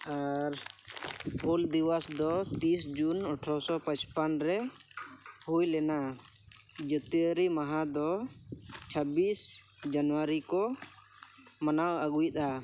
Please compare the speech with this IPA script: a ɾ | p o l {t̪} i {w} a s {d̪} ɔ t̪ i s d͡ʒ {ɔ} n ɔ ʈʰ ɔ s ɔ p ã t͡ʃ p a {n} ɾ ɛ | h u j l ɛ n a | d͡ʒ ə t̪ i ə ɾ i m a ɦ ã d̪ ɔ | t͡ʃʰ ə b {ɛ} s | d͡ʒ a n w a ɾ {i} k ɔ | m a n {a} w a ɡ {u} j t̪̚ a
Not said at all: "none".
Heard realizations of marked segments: d̪, w, d̪, u, n, i, i, a, u

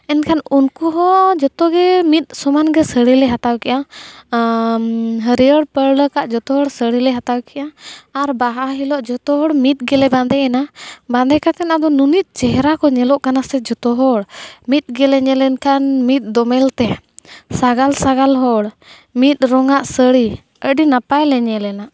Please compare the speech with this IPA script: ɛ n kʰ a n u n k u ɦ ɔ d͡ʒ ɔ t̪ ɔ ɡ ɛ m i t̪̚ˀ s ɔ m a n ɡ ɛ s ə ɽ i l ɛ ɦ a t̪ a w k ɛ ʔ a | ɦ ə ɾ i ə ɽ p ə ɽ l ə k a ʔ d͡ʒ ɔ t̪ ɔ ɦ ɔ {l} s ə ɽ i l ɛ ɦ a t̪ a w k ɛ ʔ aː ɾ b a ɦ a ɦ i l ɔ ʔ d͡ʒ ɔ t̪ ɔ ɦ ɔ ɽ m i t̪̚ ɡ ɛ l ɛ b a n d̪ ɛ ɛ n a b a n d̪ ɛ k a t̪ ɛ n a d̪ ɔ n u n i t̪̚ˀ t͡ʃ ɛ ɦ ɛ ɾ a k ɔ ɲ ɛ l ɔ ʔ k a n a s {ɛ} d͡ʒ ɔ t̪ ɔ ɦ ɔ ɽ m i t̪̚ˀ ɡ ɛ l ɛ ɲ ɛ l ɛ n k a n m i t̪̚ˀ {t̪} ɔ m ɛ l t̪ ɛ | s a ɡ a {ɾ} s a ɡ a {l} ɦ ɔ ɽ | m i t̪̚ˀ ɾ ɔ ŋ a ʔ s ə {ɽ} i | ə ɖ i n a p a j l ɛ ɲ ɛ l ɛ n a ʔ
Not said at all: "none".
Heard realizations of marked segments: ɽ, ɛ, d̪, l, l, ɽ

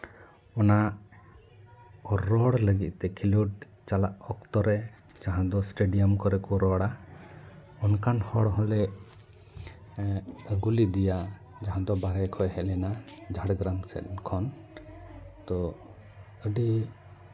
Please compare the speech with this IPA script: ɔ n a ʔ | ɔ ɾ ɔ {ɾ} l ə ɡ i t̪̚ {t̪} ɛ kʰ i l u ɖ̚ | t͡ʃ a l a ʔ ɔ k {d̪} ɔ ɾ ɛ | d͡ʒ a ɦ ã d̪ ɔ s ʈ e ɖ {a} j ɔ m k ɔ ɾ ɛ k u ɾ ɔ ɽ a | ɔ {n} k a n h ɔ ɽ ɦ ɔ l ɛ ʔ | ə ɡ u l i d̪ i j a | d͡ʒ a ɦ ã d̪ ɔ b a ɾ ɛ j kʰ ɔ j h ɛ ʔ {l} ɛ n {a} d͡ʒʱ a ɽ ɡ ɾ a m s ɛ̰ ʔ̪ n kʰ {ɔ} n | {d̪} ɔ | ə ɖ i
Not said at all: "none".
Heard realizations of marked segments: ɽ, t̪, t̪, i, n, l, a, ɔ, t̪

